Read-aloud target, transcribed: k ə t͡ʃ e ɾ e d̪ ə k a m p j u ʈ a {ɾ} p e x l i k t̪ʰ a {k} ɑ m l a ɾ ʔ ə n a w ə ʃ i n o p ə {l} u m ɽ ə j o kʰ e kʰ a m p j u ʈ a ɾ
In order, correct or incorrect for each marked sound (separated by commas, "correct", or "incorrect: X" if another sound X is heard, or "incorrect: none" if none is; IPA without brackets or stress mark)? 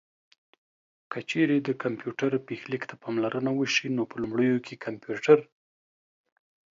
correct, incorrect: p, correct